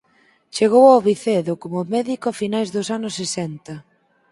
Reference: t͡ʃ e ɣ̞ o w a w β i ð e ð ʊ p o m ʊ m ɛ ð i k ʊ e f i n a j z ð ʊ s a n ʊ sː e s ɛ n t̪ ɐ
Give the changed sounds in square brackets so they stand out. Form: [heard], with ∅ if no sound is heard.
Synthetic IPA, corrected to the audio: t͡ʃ e ɣ̞ o w a w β i [θ] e ð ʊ [k] o m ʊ m ɛ ð i k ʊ [a] f i n a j z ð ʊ s a n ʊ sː e s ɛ n t̪ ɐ